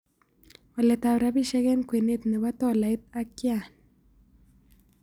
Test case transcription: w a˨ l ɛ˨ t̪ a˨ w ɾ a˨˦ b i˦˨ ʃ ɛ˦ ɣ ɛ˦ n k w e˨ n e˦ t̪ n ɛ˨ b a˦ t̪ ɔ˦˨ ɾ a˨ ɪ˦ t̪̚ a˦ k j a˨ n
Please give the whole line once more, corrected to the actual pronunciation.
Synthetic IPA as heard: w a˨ l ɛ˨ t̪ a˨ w ɾ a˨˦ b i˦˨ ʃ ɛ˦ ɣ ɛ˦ n k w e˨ n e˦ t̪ n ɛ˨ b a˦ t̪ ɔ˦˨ l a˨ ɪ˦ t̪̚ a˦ k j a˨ n